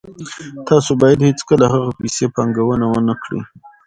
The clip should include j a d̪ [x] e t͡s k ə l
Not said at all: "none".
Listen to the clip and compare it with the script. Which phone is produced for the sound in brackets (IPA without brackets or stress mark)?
h